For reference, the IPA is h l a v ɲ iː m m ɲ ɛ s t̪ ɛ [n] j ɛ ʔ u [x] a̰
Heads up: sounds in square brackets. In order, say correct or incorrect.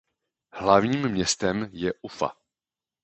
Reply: incorrect: m, incorrect: f

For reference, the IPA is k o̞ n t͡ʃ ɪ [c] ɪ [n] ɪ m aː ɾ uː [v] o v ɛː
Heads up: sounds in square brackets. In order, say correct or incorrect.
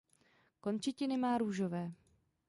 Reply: correct, correct, incorrect: ʒ

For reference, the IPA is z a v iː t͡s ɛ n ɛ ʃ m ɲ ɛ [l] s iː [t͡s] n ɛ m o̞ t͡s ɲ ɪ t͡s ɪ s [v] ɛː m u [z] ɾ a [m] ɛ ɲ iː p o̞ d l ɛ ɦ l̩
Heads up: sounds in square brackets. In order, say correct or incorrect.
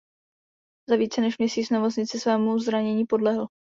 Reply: incorrect: none, correct, correct, correct, incorrect: ɲ

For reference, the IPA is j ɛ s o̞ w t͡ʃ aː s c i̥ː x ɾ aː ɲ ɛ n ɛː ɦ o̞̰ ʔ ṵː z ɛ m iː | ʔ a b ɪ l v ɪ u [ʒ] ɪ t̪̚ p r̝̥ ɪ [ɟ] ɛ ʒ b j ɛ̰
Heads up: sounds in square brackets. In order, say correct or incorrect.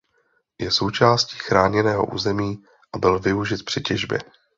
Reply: correct, incorrect: c

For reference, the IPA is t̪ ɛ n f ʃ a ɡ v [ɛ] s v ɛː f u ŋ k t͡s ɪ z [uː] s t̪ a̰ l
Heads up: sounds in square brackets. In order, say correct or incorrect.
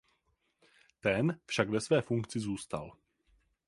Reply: correct, correct

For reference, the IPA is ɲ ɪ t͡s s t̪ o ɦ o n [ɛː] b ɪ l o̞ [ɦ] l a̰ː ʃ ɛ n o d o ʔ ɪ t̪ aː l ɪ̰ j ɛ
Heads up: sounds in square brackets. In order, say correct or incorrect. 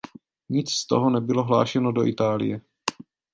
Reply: incorrect: ɛ, correct

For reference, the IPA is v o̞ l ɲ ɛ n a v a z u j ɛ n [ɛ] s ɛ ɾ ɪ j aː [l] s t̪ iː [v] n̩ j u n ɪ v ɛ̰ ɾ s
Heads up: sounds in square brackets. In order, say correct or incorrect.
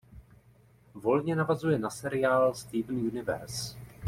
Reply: incorrect: a, correct, correct

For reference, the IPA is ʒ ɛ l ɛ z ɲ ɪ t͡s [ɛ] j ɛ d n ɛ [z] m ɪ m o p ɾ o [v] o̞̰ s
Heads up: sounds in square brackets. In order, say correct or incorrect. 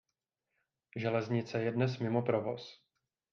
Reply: correct, incorrect: s, correct

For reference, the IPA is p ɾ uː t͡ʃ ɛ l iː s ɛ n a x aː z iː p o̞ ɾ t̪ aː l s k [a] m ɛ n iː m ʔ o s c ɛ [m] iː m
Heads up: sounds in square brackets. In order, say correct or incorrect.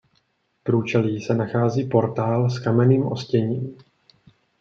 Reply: correct, incorrect: ɲ

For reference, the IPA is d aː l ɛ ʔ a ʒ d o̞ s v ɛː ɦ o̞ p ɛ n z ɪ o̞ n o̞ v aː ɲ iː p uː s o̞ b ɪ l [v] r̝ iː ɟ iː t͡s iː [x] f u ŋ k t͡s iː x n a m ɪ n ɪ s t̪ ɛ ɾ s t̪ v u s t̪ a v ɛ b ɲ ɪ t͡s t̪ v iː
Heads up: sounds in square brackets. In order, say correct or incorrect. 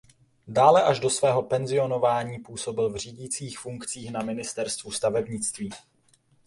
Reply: correct, correct

